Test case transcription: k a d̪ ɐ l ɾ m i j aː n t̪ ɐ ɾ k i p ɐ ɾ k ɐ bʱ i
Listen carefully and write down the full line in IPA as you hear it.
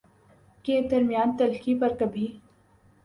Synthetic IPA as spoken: k e d̪ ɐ ɾ m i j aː n t̪ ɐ l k i p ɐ ɾ k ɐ bʱ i